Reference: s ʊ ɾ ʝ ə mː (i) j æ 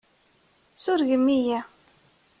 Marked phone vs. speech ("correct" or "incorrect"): correct